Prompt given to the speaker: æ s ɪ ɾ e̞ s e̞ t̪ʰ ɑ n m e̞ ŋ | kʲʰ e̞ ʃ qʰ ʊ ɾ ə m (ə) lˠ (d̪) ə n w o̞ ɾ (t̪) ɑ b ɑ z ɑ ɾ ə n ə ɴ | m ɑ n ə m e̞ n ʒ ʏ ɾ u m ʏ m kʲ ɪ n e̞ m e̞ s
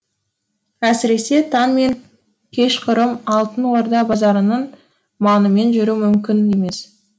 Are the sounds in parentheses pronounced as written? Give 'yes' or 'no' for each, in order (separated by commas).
no, no, no